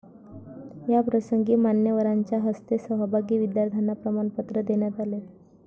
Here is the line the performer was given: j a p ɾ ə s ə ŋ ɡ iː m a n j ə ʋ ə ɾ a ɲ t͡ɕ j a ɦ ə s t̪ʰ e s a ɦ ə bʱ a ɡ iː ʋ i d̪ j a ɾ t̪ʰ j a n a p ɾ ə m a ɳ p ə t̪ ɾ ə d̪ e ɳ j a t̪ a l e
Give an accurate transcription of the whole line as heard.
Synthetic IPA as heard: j a p ɾ ə s ə ŋ ɡ iː m a n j ə ʋ ə ɾ a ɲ t͡ɕ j a ɦ ə s t̪ e s ə ɦ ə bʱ a ɡ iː ʋ i d̪ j a ɾ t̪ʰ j a n a p ɾ ə m a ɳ p ə t̪ ɾ ə d̪ e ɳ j a t̪ a l e